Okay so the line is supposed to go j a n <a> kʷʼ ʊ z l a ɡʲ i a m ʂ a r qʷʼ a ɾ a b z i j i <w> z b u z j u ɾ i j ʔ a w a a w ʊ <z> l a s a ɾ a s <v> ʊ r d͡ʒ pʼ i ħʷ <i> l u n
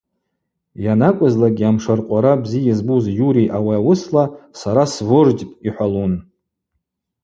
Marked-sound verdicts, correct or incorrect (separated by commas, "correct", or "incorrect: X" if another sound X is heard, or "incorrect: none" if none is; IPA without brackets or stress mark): correct, incorrect: none, incorrect: s, correct, incorrect: a